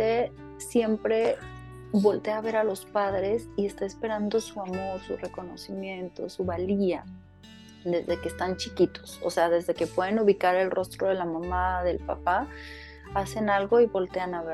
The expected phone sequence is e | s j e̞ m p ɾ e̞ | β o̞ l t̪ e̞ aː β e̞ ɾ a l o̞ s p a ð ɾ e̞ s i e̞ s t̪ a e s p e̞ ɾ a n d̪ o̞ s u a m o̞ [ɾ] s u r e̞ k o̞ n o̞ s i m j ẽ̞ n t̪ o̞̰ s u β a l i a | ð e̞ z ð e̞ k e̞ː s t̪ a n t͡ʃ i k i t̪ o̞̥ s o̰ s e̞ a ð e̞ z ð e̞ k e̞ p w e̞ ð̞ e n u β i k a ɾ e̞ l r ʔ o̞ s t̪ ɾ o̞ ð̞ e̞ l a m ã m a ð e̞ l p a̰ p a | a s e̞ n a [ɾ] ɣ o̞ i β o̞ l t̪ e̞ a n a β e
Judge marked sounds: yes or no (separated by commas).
yes, no